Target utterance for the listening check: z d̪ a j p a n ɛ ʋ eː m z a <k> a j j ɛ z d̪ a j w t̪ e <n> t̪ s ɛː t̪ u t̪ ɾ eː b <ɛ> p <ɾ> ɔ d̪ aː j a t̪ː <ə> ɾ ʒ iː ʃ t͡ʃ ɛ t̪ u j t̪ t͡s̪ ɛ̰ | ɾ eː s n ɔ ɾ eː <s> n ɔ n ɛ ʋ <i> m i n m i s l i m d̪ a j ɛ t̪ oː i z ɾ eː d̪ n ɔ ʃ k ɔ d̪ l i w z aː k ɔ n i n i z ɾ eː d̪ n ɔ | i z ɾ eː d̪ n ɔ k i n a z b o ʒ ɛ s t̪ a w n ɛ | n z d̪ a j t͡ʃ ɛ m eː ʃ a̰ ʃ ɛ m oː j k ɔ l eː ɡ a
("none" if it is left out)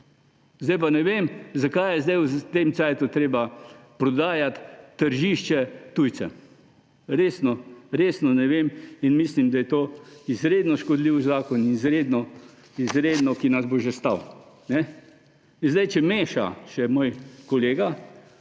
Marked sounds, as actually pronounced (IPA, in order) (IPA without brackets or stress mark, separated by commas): k, m, a, ɾ, ə, s, e